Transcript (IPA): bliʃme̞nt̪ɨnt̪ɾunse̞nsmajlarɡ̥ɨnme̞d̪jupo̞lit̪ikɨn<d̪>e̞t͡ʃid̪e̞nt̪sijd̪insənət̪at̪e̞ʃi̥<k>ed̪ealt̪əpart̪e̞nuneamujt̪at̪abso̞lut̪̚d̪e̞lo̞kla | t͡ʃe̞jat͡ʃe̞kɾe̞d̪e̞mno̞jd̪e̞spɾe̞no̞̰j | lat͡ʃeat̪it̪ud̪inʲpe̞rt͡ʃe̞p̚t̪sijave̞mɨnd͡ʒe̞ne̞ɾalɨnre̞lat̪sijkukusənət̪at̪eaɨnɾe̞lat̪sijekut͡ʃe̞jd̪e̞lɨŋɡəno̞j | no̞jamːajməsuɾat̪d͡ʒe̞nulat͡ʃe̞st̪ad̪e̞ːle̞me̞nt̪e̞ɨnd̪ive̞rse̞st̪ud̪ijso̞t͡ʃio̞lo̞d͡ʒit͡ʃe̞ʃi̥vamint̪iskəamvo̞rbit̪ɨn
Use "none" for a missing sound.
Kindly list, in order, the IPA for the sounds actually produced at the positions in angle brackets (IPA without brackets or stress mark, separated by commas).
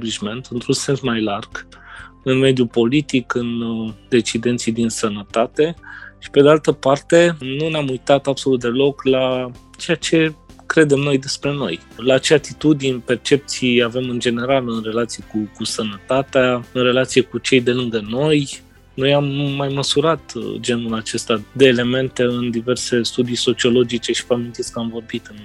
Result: d̪, p